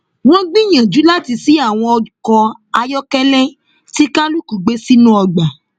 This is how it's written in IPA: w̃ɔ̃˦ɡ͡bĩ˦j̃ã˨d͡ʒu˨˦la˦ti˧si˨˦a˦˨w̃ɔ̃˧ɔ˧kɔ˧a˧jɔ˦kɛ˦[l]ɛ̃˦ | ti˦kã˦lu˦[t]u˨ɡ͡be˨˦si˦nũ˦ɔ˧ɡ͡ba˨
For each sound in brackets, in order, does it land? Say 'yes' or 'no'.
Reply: yes, no

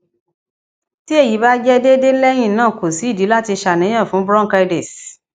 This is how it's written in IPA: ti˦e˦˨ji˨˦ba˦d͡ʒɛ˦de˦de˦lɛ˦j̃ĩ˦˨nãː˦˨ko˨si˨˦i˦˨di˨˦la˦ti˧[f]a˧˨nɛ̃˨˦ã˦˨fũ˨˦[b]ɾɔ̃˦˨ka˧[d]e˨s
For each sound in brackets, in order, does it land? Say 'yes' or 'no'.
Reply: no, yes, yes

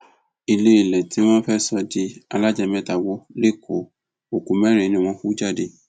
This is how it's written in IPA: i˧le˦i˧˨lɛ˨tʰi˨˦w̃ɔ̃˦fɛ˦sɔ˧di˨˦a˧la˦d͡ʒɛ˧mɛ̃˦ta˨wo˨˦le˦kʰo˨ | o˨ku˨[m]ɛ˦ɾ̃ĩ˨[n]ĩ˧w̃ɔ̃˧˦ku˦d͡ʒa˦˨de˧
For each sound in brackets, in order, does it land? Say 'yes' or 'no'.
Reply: yes, yes

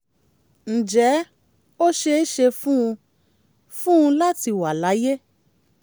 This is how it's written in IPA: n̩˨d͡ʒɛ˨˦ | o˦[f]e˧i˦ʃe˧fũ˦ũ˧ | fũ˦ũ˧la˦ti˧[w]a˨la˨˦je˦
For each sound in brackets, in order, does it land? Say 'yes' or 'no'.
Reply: no, yes

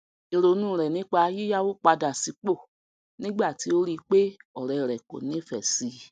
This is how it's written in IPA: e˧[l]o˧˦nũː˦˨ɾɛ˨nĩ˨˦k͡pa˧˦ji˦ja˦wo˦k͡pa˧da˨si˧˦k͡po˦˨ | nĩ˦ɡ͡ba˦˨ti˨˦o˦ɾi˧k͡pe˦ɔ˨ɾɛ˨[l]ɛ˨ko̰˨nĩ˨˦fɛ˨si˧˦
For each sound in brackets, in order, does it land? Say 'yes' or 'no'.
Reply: no, no

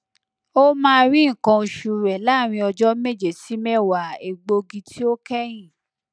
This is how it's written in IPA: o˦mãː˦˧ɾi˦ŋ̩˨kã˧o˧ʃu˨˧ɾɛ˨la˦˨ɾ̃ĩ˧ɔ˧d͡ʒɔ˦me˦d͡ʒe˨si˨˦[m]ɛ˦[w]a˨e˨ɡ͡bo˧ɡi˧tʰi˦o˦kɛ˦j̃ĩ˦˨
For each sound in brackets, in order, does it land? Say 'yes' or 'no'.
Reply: yes, yes

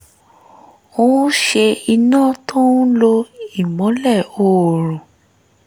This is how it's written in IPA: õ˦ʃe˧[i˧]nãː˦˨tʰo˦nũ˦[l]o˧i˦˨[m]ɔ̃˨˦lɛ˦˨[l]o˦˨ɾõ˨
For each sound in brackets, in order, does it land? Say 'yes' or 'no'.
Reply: yes, yes, yes, no

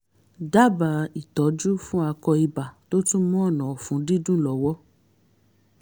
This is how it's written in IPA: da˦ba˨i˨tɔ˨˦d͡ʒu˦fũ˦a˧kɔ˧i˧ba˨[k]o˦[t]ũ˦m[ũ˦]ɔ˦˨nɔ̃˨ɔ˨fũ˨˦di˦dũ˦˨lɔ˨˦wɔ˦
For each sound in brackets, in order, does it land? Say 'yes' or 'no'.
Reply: no, yes, no

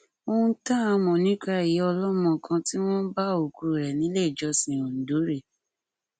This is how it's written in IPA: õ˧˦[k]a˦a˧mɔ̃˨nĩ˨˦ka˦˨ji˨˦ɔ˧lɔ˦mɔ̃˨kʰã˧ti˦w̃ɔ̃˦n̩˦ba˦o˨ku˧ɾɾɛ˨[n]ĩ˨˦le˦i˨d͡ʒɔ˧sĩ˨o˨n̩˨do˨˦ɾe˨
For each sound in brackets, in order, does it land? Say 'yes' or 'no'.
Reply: no, yes

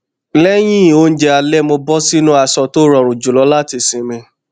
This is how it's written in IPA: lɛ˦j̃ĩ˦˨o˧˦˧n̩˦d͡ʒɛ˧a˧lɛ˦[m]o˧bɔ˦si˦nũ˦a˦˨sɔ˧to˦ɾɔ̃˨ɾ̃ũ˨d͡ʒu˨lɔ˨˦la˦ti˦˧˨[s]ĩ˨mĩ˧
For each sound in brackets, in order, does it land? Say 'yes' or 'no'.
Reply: yes, yes

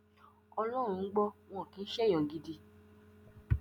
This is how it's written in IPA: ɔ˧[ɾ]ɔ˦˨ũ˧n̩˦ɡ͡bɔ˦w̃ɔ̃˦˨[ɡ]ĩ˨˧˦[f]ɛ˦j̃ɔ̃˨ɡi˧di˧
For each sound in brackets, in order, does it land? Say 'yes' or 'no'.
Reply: no, no, no

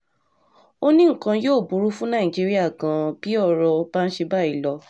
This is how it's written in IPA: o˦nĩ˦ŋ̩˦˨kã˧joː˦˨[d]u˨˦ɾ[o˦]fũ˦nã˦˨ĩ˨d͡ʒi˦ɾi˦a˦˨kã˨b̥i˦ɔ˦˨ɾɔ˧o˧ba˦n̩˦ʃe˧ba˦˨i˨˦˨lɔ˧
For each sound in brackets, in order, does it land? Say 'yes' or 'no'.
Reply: no, no

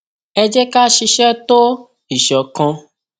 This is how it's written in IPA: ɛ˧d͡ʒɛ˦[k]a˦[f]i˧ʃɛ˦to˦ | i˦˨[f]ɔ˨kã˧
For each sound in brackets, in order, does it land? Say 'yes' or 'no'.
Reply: yes, no, no

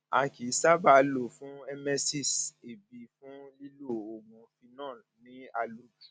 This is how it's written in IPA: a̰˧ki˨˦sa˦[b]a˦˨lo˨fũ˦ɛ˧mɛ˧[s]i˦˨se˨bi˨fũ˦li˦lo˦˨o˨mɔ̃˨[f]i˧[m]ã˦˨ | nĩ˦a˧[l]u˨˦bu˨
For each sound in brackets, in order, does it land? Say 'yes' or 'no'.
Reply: yes, yes, yes, no, yes

